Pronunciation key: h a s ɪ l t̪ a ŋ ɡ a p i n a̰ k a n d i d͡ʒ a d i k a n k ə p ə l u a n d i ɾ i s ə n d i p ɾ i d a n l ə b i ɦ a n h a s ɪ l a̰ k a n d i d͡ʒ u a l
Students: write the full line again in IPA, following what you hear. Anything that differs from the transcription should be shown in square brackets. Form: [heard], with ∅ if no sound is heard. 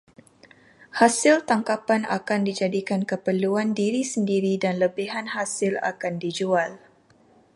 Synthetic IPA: h a s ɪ l t̪ a ŋ [k] a p [a] n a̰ k a n d i d͡ʒ a d i k a n k ə p ə l u a n d i ɾ i s ə n d i [∅] ɾ i d a n l ə b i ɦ a n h a s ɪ l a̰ k a n d i d͡ʒ u a l

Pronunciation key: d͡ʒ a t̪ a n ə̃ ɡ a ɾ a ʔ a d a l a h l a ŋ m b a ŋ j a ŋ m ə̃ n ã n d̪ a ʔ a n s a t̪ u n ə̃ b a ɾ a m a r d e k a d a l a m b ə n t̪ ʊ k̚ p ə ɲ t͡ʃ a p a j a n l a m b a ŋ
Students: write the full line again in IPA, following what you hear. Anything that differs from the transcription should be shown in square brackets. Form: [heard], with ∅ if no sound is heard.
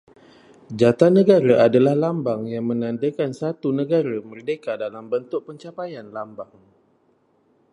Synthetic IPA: d͡ʒ a t̪ a n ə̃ ɡ a ɾ a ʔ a d a l a h l a [∅] m b a ŋ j a ŋ m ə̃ n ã n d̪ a [k] a n s a t̪ u n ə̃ [ɡ] a ɾ a m [ə] r d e k a d a l a m b ə n t̪ ʊ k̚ p ə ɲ t͡ʃ a p a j a n l a m b a ŋ

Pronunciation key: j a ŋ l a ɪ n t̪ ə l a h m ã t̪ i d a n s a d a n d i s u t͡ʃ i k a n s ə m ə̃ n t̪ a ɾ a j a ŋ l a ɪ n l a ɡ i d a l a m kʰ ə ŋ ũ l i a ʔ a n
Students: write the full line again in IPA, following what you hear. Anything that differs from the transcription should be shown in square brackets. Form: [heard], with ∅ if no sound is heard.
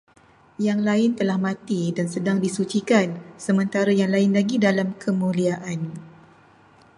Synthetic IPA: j a ŋ l a ɪ n t̪ ə l a h m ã t̪ i d a n s [ə] d a [ŋ] d i s u t͡ʃ i k a n s ə m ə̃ n t̪ a ɾ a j a ŋ l a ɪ n l a ɡ i d a l a m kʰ ə [m] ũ l i a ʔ a n

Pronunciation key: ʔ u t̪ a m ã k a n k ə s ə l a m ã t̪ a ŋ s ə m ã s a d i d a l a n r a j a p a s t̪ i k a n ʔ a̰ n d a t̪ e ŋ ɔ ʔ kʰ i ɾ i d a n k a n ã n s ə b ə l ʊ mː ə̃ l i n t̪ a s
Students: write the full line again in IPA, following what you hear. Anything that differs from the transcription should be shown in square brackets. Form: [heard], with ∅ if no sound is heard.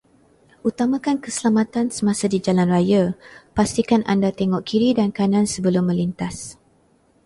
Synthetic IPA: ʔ u t̪ a m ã k a n k ə s ə l a m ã t̪ a [n] s ə m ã s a d i [d͡ʒ] a l a n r a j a p a s t̪ i k a n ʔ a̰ n d a t̪ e ŋ ɔ ʔ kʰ i ɾ i d a n k a n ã n s ə b ə l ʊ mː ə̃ l i n t̪ a s

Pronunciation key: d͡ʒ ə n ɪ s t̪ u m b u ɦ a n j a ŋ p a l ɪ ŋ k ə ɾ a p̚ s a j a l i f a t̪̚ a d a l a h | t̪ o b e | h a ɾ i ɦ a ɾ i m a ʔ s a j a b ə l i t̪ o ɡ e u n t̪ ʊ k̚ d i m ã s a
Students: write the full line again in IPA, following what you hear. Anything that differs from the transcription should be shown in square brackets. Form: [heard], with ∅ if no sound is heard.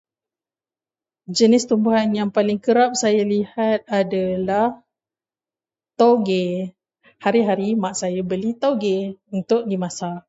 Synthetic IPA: d͡ʒ ə n ɪ s t̪ u m b u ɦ a n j a ŋ p a l ɪ ŋ k ə ɾ a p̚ s a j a l i [h] a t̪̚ a d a l a h | t̪ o [ɡ] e | h a ɾ i ɦ a ɾ i m a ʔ s a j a b ə l i t̪ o ɡ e u n t̪ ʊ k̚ d i m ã s a

